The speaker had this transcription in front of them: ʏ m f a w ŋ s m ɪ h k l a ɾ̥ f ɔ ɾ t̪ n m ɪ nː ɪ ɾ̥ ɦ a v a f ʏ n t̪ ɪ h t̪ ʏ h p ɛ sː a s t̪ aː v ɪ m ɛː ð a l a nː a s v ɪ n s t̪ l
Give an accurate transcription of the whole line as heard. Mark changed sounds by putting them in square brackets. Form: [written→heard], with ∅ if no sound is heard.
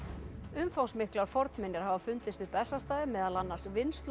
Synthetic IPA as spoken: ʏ m f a w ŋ s m ɪ h k l a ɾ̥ f ɔ ɾ t̪ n m ɪ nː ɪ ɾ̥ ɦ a v a f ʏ n t̪ ɪ [h→s] t̪ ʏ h p ɛ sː a s t̪ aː [v→ð] ɪ m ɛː ð a l a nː a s v ɪ n s t̪ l

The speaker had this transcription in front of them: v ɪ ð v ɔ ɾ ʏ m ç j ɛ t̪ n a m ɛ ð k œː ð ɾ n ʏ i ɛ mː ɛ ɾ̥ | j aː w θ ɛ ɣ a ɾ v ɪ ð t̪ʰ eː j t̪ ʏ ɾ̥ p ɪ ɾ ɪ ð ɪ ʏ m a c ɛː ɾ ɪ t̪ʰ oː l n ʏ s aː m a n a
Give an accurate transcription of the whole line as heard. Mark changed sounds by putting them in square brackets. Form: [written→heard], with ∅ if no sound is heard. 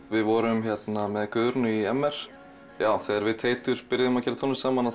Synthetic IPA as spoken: v ɪ ð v ɔ ɾ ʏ m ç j ɛ t̪ n a m ɛ ð k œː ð ɾ n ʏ i ɛ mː ɛ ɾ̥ | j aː w θ ɛ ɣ a ɾ v ɪ ð t̪ʰ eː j t̪ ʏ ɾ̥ p ɪ ɾ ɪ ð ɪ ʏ m a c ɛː ɾ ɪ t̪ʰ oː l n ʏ s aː m a n a

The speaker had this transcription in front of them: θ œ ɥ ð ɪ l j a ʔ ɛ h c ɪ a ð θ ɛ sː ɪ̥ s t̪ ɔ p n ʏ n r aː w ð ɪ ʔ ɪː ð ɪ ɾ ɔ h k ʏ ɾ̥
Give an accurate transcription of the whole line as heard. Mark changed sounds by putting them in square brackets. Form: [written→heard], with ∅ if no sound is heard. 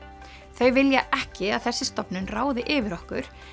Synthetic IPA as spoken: θ œ ɥ [ð→v] ɪ l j a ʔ ɛ h c ɪ a ð θ ɛ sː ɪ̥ s t̪ ɔ p n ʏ n r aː w ð ɪ ʔ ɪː [ð→v] ɪ ɾ ɔ h k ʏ ɾ̥

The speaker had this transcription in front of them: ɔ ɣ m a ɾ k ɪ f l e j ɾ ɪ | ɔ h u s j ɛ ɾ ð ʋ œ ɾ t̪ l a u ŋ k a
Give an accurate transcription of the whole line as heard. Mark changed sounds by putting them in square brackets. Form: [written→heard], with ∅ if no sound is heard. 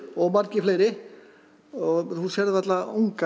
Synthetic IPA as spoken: ɔ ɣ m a ɾ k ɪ f l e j ɾ ɪ | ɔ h u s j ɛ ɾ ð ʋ [œ→ɛ] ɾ t̪ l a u ŋ k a

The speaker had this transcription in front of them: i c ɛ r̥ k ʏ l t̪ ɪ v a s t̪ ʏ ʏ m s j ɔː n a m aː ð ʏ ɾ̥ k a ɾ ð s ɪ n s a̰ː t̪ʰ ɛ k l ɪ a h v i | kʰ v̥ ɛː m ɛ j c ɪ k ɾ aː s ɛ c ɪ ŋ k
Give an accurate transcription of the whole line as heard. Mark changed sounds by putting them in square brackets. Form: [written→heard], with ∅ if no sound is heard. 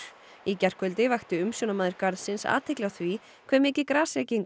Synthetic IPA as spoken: i c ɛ r̥ k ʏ l t̪ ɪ v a [s→x] t̪ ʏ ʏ m s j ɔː n a m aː ð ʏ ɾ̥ k a ɾ ð s ɪ n s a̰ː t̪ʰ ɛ k l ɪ a [h→θ] v i | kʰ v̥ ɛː m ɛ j c ɪ k ɾ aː s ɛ c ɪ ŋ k

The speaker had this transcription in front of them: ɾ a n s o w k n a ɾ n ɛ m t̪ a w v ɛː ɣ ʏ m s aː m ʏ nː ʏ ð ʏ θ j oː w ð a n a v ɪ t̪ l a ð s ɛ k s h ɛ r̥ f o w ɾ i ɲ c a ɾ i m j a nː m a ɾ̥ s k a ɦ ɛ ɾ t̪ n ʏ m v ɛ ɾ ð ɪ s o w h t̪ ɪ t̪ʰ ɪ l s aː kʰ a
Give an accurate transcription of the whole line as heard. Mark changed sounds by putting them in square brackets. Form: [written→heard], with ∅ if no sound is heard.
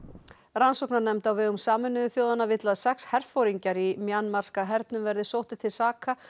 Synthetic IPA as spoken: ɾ a n s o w k n a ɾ n ɛ m t̪ a w v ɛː ɣ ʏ m s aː m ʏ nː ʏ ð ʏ θ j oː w ð a n a v ɪ t̪ l a ð s ɛ k s h ɛ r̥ f o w ɾ i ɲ c a ɾ i m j a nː m a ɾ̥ s k a ɦ ɛ ɾ t̪ n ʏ m v ɛ ɾ ð ɪ s o w h t̪ ɪ t̪ʰ ɪ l s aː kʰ a

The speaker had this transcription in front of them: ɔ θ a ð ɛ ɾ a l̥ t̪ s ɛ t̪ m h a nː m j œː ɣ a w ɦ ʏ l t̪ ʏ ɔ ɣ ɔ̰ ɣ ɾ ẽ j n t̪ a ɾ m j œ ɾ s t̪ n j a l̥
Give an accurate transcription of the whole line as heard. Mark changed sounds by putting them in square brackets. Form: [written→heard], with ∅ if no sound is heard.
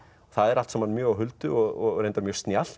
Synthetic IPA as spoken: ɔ θ a ð ɛ ɾ a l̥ t̪ s ɛ [t̪→∅] m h a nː m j œː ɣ a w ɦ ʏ l t̪ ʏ ɔ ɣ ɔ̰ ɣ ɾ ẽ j n t̪ a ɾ m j œ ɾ s t̪ n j a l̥

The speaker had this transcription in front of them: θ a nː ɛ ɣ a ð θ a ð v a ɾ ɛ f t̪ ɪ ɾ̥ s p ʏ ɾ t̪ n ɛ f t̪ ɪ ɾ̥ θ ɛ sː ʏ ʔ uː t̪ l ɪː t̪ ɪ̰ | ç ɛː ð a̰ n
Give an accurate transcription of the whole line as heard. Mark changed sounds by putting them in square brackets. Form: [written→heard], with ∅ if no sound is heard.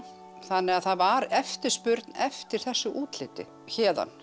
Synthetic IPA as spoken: θ a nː ɛ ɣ a ð θ a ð v a ɾ ɛ f t̪ ɪ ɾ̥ s p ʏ ɾ t̪ n ɛ f t̪ ɪ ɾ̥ θ ɛ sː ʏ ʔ uː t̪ l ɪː t̪ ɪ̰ | ç ɛː ð a̰ n

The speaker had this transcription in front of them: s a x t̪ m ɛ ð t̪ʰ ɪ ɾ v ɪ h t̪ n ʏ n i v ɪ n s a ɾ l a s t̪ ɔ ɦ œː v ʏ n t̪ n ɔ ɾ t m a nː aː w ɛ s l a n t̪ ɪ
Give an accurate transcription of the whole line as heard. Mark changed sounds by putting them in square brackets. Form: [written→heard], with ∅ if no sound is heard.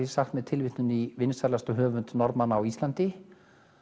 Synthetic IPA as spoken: s a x t̪ m ɛ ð t̪ʰ ɪ [ɾ→l] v ɪ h t̪ n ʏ n i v ɪ n s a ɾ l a s t̪ ɔ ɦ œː v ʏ n t̪ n ɔ ɾ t m a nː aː w [ɛ→i] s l a n t̪ ɪ

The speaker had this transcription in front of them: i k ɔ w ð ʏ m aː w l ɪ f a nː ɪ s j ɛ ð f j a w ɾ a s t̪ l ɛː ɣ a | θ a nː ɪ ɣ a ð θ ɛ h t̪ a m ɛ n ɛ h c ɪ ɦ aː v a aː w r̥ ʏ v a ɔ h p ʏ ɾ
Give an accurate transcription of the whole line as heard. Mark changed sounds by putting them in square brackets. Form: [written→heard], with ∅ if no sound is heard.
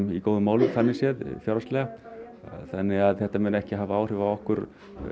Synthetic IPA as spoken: i k [ɔ→o] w ð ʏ m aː w l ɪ [f→θ] a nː ɪ s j ɛ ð f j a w ɾ a s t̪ l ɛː ɣ a | θ a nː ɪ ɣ a ð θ ɛ h t̪ a m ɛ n ɛ h c ɪ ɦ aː v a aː w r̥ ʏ v a ɔ h [p→k] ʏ ɾ

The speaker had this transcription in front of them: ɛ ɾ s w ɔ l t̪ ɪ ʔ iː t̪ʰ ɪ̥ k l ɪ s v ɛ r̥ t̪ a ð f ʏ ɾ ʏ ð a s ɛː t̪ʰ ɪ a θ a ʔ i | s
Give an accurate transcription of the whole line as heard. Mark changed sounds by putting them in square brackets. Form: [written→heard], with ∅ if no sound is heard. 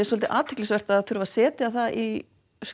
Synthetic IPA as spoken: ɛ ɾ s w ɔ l t̪ ɪ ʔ [iː→aː] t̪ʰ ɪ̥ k l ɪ s v ɛ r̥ t̪ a ð [f→θ] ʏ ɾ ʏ [ð→v] a s ɛː [t̪ʰ→t̪] ɪ a θ a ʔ i | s

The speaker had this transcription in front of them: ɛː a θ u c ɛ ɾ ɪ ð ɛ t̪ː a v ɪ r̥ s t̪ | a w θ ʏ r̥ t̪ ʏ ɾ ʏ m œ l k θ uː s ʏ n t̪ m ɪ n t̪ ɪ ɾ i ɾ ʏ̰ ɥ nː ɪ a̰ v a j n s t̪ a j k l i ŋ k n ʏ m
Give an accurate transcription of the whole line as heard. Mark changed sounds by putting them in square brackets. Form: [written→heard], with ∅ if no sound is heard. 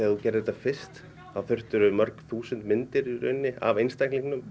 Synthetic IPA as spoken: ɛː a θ u c ɛ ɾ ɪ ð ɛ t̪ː a [v→f] ɪ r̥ s t̪ | a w θ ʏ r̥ t̪ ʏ ɾ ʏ m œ [l→ɾ] k θ uː s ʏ n t̪ m ɪ n t̪ ɪ ɾ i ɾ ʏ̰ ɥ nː ɪ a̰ v [a→e] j n s t̪ a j k l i ŋ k n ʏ m

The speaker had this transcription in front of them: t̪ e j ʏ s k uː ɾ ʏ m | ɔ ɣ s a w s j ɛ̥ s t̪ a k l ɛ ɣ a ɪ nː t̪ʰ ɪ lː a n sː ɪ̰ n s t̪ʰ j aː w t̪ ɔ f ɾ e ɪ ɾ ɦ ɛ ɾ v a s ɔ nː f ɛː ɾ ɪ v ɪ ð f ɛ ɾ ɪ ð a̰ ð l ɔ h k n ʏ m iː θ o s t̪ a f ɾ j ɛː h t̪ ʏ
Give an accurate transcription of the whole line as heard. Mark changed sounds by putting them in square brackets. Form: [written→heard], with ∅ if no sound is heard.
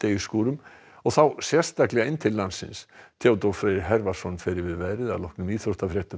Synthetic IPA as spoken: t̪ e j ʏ s k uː ɾ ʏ m | ɔ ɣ [s→θ] a w s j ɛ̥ s t̪ a k l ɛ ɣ a ɪ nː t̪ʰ ɪ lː a n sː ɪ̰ n s t̪ʰ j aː w t̪ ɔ f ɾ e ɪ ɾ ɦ ɛ ɾ v a s ɔ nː f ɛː ɾ ɪ v ɪ ð [f→v] ɛ ɾ ɪ ð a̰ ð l ɔ h k n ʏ m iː θ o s t̪ a f ɾ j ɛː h t̪ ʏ

